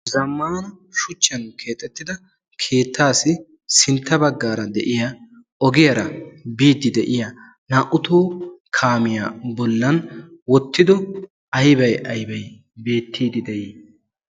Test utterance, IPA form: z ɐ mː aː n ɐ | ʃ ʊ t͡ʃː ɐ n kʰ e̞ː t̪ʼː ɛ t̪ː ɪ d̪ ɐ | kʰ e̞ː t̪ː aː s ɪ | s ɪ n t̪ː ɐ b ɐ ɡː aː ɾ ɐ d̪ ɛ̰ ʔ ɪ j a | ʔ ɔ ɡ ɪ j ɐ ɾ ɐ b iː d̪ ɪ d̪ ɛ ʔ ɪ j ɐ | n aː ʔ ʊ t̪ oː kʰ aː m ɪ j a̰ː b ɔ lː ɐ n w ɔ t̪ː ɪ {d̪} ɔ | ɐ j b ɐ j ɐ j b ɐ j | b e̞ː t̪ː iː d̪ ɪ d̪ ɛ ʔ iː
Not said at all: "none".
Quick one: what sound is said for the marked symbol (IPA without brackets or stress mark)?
d̪